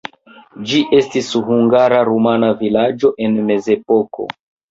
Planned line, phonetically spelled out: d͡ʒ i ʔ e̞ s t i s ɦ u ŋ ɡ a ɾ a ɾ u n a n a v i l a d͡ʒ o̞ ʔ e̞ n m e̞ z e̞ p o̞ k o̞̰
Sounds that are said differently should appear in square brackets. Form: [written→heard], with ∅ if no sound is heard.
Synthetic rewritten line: d͡ʒ i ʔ e̞ s t i s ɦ u ŋ ɡ a ɾ a ɾ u [n→m] a n a v i l a d͡ʒ o̞ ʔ e̞ n m e̞ z e̞ p o̞ k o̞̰